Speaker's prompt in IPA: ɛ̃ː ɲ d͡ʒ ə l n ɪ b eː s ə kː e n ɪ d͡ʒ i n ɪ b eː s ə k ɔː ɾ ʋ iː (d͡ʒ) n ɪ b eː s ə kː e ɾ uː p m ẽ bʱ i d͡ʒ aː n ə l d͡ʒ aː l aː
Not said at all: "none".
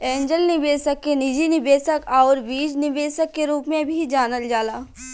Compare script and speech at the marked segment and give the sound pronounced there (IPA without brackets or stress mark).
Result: d͡ʒ